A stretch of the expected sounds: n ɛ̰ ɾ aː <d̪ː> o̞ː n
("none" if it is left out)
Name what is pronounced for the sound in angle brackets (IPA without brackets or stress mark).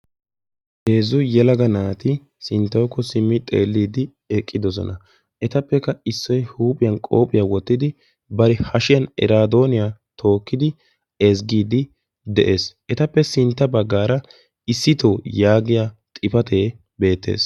d̪